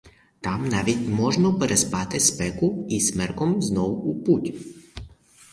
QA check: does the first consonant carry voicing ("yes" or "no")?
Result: no